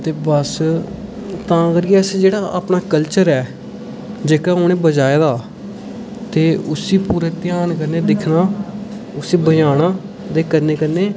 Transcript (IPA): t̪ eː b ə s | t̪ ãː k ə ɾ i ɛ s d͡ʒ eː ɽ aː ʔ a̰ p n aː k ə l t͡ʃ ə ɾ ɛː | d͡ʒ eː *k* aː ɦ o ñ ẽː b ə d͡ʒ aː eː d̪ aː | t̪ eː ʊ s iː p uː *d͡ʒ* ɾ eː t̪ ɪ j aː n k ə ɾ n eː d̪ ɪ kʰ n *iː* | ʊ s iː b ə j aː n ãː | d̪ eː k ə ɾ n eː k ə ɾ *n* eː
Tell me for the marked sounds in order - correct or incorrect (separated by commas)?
correct, incorrect, incorrect, correct